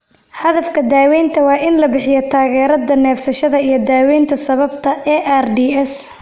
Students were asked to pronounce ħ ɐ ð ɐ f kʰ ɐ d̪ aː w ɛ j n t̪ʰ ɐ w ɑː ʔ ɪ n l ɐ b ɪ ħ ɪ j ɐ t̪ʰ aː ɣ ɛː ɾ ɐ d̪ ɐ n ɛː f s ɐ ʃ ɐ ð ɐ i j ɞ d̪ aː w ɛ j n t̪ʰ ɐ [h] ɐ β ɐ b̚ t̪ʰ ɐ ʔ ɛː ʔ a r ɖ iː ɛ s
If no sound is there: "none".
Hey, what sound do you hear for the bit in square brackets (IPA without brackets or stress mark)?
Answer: s